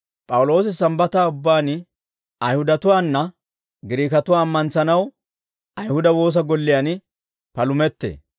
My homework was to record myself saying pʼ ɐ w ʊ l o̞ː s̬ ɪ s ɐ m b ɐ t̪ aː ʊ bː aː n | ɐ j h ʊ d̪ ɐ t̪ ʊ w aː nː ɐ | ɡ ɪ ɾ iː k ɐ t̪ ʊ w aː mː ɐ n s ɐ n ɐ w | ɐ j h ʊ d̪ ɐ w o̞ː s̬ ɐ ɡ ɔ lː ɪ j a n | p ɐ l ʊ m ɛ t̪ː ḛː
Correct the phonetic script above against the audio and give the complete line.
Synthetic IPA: pʼ ɐ w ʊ l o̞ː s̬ ɪ s ɐ m b ɐ t̪ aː ʊ bː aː n | ɐ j h ʊ d̪ ɐ t̪ ʊ w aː nː ɐ | ɡ ɪ ɾ iː k ɐ t̪ ʊ w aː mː ɐ n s ɐ n ɐ w | ɐ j h ʊ d̪ ɐ w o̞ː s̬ ɐ ɡ ɔ lː ɪ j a n | p ɐ l ʊ m ɛ t̪ː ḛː